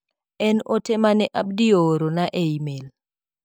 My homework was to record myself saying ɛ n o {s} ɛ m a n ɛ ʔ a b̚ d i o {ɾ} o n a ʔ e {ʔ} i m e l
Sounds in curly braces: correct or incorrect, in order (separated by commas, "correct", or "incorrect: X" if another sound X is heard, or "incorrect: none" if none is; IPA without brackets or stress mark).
incorrect: t, correct, incorrect: none